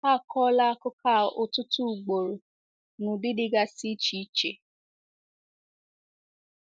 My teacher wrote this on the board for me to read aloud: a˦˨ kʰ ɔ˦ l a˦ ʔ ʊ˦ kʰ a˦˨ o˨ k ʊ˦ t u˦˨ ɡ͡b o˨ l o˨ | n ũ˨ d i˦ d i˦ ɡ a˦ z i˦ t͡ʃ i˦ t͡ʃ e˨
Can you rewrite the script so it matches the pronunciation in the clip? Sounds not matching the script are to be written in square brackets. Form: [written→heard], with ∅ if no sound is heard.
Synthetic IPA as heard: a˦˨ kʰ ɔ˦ l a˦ [ʔ→k] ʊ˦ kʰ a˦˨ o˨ [k→t] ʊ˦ t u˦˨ ɡ͡b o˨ [l→ɾ] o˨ | n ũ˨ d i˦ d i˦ ɡ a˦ [z→s] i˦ t͡ʃ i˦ t͡ʃ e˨